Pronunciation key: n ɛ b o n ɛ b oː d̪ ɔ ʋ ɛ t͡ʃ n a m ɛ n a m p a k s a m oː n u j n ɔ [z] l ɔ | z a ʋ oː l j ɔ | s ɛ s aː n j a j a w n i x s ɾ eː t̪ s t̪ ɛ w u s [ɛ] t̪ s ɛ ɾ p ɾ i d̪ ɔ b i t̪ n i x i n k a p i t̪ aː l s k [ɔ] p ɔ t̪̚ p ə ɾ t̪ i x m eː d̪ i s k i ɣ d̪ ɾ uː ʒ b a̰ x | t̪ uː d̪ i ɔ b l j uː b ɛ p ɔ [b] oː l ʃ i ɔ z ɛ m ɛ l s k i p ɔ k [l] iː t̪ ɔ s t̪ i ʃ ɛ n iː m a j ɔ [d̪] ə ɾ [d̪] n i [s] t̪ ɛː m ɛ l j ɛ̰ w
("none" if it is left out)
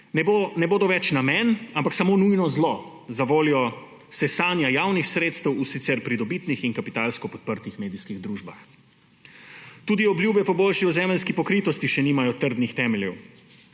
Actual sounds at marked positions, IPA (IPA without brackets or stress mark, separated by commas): z, i, ɔ, b, ɾ, t̪, d̪, x